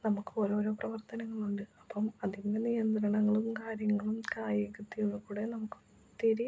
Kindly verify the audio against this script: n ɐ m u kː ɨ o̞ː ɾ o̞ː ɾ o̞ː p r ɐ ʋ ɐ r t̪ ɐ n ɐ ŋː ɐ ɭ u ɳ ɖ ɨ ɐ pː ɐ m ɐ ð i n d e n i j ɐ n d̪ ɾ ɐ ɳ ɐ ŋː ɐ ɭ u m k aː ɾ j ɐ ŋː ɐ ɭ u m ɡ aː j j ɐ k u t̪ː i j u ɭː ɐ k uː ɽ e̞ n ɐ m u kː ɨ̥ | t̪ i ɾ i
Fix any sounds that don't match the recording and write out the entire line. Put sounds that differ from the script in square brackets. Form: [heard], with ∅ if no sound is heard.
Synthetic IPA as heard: n ɐ m u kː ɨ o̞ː ɾ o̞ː ɾ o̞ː p r ɐ ʋ ɐ r t̪ ɐ n ɐ ŋː ɐ ɭ u ɳ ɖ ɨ ɐ pː ɐ m ɐ ð i n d e n i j ɐ n d̪ ɾ ɐ ɳ ɐ ŋː ɐ ɭ u m k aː ɾ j ɐ ŋː ɐ ɭ u m [k] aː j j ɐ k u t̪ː i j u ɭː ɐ k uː ɽ e̞ n ɐ m u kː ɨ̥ | t̪ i ɾ i